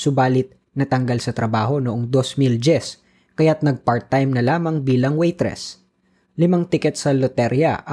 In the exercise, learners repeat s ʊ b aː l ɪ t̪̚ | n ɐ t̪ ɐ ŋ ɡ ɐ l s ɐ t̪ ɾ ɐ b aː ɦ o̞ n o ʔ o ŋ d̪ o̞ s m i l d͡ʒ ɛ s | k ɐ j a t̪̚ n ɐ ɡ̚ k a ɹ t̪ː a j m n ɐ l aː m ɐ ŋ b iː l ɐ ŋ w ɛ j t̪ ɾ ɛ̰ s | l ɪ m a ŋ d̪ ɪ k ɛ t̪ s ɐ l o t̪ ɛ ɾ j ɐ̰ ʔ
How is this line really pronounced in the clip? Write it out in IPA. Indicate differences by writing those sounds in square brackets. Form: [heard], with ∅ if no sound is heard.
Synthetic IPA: s ʊ b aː l ɪ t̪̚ | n ɐ t̪ ɐ ŋ ɡ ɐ l s ɐ t̪ ɾ ɐ b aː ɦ o̞ n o ʔ o ŋ d̪ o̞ s m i l d͡ʒ ɛ s | k ɐ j a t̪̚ n ɐ ɡ̚ [p] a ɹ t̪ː a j m n ɐ l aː m ɐ ŋ b iː l ɐ ŋ w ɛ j t̪ ɾ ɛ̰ s | l ɪ m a ŋ [t̪] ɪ k ɛ t̪ s ɐ l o t̪ ɛ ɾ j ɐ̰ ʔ